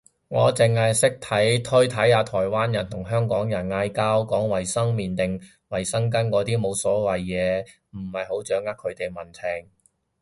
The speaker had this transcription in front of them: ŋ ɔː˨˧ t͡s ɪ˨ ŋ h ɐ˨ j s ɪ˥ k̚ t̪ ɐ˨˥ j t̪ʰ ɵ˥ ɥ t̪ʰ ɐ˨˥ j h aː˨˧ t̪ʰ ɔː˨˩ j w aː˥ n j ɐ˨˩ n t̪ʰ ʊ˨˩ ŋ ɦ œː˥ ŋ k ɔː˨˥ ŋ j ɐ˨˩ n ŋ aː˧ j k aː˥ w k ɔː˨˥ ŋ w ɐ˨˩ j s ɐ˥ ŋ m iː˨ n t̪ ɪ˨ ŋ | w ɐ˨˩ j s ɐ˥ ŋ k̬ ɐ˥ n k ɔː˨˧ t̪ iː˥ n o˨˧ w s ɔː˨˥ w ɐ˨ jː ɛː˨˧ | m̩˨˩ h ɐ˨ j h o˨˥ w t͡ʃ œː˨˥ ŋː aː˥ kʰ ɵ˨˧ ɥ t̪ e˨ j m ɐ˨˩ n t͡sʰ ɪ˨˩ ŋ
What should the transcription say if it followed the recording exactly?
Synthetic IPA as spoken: ŋ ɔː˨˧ t͡s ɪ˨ ŋ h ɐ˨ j s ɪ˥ k̚ t̪ʰ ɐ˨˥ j t̪ʰ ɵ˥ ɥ t̪ʰ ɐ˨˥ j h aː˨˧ t̪ʰ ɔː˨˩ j w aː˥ n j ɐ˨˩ n t̪ʰ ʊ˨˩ ŋ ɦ œː˥ ŋ k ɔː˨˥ ŋ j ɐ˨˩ n ŋ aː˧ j k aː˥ w k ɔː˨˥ ŋ w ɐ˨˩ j s ɐ˥ ŋ m iː˨ n t̪ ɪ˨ ŋ | w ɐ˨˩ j s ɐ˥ ŋ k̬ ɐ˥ n k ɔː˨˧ t̪ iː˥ m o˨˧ w s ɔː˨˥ w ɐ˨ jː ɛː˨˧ | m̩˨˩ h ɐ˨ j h o˨˥ w t͡ʃ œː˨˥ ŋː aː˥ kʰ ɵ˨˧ ɥ t̪ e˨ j m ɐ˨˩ n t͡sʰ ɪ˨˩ ŋ